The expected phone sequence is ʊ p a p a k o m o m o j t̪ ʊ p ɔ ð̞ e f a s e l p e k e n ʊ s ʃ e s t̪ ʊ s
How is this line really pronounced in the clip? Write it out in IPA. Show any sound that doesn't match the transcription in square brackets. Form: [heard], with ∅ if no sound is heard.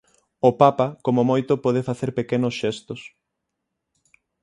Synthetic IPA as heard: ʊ p a p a k o m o m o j t̪ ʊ p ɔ ð̞ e f a [θ] e [ɾ] p e k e n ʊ s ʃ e s t̪ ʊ s